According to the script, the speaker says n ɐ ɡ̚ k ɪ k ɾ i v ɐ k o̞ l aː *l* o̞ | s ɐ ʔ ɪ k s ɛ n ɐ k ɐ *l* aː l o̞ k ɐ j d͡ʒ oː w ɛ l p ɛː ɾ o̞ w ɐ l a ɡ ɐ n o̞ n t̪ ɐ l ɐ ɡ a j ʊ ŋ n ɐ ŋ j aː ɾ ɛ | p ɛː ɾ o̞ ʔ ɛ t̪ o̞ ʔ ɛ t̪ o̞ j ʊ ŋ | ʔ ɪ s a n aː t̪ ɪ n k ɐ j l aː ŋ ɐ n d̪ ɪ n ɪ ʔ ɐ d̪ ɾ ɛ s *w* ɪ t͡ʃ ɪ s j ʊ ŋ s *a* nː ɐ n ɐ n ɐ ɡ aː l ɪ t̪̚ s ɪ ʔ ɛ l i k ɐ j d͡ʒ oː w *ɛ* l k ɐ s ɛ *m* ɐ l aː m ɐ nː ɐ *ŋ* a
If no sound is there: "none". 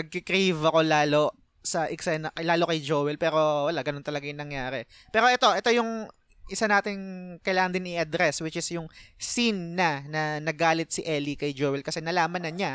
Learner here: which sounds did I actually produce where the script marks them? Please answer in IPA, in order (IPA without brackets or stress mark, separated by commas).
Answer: l, l, w, i, ɛ, n, ɲ